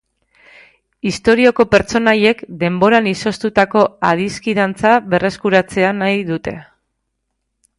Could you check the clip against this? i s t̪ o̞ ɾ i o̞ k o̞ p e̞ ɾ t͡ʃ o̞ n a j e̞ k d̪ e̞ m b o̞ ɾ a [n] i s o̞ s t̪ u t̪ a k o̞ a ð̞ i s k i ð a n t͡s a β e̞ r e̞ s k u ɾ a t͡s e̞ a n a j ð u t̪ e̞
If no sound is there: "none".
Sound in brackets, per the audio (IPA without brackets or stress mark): n